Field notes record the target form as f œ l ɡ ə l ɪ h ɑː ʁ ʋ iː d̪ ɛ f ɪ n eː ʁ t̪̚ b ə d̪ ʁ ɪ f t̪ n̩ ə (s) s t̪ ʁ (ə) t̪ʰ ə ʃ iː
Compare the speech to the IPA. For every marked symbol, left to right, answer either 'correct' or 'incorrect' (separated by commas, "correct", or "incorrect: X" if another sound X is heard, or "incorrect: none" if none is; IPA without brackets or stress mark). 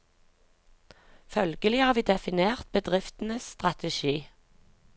correct, incorrect: ɑ